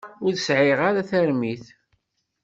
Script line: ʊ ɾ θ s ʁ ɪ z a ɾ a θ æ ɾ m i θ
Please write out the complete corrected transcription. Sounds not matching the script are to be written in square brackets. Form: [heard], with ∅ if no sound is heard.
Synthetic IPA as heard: ʊ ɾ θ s [ʕ] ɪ [ʁ] a ɾ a θ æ ɾ m i θ